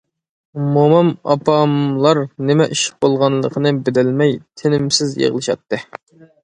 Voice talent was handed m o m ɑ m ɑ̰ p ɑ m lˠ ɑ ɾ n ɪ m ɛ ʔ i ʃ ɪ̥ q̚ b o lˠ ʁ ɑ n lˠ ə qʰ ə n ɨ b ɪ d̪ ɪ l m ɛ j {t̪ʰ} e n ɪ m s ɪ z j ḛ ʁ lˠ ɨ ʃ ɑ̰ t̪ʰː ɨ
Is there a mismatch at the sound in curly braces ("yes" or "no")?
no